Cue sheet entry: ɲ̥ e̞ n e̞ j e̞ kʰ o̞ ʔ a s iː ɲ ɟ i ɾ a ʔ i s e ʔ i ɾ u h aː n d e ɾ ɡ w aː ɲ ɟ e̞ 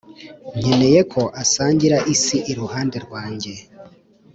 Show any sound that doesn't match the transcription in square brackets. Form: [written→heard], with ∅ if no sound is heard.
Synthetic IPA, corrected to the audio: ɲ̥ e̞ n e̞ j e̞ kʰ o̞ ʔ a s [iː→aː] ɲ ɟ i ɾ a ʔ i s [e→i] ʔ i ɾ u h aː n d e ɾ ɡ w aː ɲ ɟ e̞